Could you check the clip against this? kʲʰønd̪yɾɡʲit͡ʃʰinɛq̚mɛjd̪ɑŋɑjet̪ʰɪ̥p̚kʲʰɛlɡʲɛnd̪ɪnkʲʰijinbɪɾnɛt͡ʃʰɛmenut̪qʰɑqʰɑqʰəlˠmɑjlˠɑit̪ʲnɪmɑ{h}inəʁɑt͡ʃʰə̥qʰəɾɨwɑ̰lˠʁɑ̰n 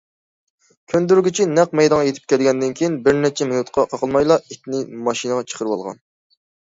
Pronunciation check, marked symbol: incorrect: ʃ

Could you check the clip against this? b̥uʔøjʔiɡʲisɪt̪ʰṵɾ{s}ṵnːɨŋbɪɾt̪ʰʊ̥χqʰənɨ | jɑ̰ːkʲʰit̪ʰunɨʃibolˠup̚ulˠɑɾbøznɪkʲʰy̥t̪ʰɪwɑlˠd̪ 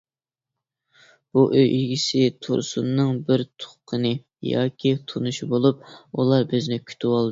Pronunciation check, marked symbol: correct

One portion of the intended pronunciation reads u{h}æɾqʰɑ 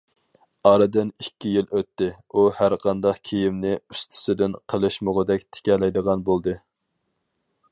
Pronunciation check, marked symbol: correct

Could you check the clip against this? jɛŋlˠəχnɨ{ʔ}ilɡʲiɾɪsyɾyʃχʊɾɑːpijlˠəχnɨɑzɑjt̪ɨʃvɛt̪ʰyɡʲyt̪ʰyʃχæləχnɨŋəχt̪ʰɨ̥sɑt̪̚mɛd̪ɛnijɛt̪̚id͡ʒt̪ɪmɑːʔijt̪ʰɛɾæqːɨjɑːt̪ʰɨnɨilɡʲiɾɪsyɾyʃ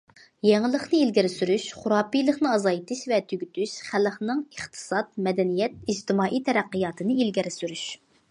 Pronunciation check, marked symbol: incorrect: none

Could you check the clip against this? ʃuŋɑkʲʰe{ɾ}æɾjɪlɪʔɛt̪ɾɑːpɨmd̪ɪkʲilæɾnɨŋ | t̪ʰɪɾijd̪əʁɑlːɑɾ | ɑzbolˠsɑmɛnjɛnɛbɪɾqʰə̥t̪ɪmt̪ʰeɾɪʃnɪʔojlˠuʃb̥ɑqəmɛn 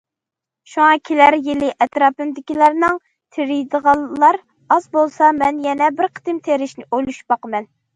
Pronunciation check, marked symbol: incorrect: l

